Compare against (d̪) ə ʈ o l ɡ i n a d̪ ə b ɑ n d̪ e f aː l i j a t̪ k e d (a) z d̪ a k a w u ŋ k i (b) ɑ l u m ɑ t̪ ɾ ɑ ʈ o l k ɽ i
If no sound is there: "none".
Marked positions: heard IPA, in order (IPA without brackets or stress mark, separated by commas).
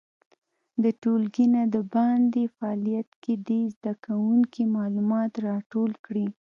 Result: d̪, e, m